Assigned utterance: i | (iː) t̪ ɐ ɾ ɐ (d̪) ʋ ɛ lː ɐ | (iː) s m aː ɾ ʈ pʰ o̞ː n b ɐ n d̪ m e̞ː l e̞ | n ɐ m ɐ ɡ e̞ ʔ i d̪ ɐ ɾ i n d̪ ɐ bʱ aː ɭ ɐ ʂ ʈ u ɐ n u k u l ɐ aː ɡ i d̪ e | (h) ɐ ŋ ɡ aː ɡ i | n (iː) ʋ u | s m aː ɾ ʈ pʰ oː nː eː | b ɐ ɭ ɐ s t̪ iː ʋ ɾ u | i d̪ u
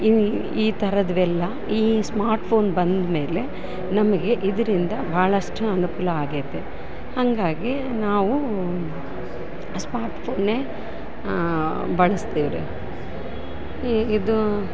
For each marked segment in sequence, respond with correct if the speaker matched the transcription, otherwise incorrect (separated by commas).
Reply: correct, correct, correct, correct, incorrect